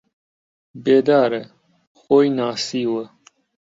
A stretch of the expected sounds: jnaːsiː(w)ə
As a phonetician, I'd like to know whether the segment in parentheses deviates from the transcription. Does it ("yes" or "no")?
no